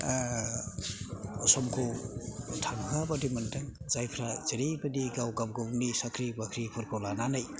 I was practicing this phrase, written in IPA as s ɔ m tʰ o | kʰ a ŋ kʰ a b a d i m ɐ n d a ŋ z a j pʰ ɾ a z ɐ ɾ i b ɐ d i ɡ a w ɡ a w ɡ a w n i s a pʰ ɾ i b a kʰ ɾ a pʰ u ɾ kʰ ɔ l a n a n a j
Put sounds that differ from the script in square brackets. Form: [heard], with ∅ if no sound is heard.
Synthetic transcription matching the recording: s ɔ m [kʰ] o | [tʰ] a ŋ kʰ a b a d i m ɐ n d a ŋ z a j pʰ ɾ a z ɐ ɾ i b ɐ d i ɡ a w ɡ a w ɡ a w n i s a [kʰ] ɾ i b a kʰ ɾ [i] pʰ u ɾ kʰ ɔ l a n a n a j